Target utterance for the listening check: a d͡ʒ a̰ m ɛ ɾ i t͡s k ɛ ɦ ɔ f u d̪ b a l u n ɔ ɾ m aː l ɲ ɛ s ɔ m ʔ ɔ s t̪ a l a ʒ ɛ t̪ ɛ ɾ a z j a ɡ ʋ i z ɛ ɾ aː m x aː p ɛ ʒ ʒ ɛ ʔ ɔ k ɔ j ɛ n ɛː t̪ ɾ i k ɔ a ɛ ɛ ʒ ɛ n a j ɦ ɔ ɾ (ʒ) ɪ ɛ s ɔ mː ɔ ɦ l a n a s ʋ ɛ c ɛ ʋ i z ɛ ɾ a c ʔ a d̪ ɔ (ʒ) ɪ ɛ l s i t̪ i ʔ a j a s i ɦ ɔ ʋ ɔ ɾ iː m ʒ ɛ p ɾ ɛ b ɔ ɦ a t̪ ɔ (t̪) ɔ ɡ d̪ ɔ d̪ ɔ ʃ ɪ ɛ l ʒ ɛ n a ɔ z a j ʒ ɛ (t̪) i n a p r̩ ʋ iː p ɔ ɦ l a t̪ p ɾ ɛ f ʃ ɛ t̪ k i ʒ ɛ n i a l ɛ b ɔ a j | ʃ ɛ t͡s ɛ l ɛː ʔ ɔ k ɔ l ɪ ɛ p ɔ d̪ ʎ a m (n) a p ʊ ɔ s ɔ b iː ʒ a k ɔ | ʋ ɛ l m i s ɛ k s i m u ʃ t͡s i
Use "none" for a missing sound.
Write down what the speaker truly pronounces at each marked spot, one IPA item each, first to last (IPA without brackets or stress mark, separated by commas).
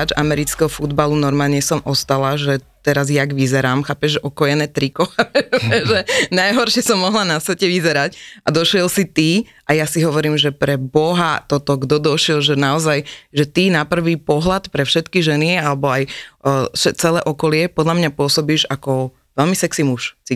ʃ, ʃ, t̪, t̪, ɲ